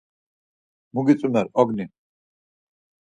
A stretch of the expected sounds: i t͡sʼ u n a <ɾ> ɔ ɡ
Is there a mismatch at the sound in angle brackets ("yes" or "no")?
no